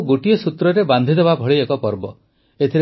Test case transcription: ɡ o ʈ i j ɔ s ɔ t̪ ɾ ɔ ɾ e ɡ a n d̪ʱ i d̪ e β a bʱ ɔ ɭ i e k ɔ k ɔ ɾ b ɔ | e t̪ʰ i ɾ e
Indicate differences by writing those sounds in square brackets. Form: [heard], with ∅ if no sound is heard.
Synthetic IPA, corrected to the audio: ɡ o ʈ i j ɔ s [u] t̪ ɾ ɔ ɾ e [b] a n d̪ʱ i d̪ e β a bʱ ɔ ɭ i e k ɔ [p] ɔ ɾ b ɔ | e t̪ʰ i ɾ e